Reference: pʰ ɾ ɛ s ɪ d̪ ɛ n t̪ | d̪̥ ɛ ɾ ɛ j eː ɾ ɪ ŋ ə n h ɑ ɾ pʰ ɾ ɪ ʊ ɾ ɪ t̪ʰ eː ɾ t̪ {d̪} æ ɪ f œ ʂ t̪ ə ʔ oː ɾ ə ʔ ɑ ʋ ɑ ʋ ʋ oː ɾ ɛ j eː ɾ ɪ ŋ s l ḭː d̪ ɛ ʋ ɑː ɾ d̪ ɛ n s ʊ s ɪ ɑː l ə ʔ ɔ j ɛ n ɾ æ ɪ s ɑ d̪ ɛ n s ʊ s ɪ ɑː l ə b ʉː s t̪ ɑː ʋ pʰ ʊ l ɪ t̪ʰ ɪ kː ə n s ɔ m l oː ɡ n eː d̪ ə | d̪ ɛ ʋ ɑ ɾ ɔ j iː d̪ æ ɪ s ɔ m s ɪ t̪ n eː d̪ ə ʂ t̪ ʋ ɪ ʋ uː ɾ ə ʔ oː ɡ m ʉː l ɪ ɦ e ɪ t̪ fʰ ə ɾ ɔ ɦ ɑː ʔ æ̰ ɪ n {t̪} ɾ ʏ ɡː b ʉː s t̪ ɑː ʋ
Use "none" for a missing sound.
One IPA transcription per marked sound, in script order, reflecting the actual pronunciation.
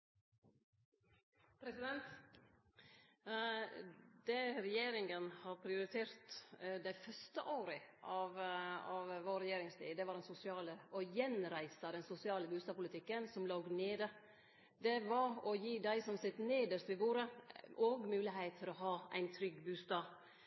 d̪, t̪ʰ

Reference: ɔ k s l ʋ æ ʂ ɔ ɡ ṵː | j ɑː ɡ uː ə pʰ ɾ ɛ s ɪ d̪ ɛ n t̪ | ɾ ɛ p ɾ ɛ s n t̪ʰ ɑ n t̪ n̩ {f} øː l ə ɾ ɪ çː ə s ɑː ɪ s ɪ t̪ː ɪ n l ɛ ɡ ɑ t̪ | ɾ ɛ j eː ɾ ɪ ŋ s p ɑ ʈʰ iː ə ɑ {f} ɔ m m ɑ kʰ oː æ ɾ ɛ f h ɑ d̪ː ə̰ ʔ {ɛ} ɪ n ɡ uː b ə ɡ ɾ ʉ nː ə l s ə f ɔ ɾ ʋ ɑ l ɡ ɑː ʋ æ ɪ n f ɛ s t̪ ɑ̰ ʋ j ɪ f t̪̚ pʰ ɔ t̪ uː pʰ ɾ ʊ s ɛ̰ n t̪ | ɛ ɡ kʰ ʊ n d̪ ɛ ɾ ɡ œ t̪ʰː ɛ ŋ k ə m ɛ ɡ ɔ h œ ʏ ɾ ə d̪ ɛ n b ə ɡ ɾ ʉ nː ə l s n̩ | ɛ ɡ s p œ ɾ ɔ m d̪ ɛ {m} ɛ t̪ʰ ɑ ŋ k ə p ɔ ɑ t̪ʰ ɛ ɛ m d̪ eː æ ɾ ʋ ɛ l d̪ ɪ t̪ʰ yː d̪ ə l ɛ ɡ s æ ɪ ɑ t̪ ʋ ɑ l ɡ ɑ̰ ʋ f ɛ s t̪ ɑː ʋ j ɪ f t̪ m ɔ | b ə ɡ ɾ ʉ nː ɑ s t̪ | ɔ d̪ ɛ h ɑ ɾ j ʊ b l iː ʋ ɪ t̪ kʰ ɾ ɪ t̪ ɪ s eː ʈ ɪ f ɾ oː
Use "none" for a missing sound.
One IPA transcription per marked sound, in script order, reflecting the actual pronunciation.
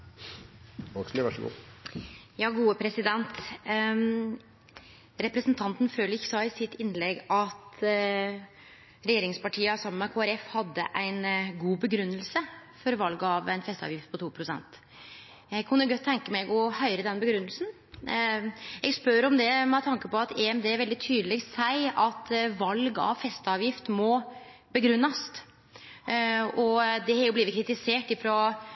f, s, æ, m

